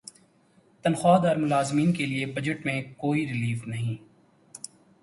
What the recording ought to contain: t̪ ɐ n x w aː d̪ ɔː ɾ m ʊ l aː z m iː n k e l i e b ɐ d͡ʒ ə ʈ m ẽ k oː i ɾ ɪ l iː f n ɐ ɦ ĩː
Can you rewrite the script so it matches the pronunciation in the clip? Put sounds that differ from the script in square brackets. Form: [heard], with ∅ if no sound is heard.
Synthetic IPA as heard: t̪ ɐ n x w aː d̪ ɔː ɾ m ʊ l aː z m iː n k e l i e b ɐ d͡ʒ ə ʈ m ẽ k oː i ɾ ɪ l iː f n ɐ ɦ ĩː